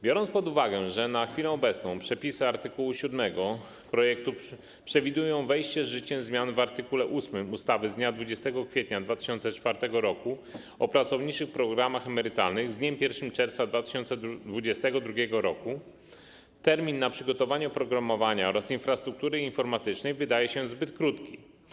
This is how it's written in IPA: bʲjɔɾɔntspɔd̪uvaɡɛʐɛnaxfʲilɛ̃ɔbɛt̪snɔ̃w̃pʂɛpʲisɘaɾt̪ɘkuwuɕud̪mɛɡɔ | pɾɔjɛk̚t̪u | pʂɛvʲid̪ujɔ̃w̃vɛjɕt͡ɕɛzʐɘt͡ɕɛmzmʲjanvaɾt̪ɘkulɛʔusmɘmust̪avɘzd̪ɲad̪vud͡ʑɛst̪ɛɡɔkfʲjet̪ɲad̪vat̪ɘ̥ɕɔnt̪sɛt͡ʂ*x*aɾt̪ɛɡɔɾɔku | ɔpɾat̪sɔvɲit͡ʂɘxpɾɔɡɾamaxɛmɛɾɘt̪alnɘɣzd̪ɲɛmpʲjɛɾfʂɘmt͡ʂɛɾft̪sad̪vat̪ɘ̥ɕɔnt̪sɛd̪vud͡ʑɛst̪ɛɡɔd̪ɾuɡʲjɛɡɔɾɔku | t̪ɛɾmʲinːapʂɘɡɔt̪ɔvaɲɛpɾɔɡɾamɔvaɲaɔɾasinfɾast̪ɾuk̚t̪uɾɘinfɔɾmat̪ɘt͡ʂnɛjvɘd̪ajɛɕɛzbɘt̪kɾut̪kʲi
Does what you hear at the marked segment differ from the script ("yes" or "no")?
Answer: yes